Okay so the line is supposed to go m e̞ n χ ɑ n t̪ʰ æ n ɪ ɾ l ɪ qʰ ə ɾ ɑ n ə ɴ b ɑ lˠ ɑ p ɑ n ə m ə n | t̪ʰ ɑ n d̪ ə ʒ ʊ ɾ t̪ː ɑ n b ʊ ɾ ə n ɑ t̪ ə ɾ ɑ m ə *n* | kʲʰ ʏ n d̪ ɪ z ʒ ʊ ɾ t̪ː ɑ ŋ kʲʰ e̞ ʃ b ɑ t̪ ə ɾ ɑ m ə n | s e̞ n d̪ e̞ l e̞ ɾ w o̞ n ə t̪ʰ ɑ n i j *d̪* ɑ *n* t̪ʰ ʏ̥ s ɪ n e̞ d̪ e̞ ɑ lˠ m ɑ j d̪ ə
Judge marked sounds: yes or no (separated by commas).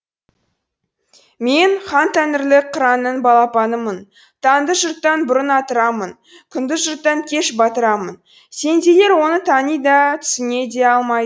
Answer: yes, yes, no